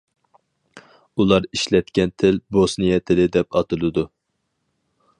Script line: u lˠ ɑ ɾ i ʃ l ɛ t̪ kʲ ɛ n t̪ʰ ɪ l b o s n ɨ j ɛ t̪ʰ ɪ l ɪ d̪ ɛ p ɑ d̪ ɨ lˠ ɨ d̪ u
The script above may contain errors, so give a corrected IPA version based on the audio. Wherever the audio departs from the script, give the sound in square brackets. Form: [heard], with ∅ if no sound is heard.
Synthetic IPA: u lˠ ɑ ɾ i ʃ l ɛ t̪ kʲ ɛ n t̪ʰ ɪ l b o s n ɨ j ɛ t̪ʰ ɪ l ɪ d̪ ɛ p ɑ [t̪] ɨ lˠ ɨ d̪ u